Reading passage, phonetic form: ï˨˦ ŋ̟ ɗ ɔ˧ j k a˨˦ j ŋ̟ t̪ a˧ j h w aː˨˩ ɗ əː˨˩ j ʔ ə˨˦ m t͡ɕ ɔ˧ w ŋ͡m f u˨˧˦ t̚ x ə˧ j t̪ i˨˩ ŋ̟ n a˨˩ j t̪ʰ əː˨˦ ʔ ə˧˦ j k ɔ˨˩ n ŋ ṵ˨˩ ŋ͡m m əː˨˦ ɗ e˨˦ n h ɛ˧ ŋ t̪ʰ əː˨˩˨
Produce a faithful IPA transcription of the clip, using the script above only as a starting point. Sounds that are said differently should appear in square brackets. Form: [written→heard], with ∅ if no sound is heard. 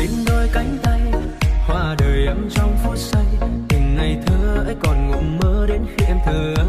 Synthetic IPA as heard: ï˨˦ ŋ̟ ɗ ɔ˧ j k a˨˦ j ŋ̟ t̪ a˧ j h w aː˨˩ ɗ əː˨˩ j ʔ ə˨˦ m t͡ɕ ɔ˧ w ŋ͡m f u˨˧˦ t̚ [x→s] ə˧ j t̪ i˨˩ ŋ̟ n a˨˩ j t̪ʰ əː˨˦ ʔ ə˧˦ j k ɔ˨˩ n ŋ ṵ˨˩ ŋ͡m m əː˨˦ ɗ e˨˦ n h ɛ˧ [ŋ→m] t̪ʰ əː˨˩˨